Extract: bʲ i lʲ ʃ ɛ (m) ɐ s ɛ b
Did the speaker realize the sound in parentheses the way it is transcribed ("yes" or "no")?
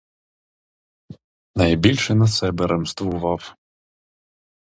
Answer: no